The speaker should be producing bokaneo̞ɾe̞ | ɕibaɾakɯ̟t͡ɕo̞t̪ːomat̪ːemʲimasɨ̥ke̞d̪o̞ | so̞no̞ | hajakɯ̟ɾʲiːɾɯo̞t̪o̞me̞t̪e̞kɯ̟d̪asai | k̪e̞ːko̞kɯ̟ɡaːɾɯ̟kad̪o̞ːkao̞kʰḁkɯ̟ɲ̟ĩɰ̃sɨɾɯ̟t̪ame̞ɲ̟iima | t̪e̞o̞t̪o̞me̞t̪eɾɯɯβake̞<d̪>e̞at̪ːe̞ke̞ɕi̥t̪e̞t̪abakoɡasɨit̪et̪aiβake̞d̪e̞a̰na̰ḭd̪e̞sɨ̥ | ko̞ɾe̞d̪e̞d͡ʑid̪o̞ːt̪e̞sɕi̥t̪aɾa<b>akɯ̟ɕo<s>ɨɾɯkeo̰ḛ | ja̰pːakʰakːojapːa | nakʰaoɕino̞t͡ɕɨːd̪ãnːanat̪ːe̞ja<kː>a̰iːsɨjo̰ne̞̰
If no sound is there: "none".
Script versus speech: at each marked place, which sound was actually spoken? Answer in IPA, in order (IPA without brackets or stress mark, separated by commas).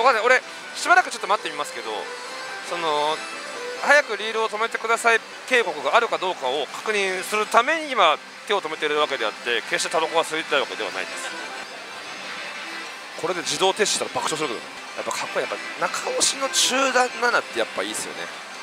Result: d̪, b, s, pː